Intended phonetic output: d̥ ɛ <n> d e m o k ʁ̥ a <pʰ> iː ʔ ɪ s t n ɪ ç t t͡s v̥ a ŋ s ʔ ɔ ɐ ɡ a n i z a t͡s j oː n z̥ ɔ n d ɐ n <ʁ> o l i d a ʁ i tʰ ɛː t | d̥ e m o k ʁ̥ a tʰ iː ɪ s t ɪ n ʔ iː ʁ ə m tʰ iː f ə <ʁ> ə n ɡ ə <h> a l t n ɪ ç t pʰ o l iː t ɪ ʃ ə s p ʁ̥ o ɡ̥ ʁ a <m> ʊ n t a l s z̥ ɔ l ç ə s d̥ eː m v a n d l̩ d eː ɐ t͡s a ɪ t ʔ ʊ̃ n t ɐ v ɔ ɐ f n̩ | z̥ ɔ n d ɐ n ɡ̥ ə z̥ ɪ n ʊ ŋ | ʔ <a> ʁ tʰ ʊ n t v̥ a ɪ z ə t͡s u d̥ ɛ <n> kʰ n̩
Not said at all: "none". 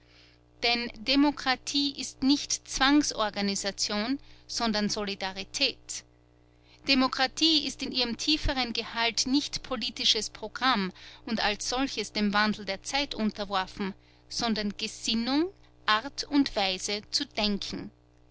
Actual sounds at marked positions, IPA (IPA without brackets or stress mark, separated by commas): n, tʰ, z, ʁ, h, m, a, ŋ